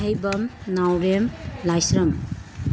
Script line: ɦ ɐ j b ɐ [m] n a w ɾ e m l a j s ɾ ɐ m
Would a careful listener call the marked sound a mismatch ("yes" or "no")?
no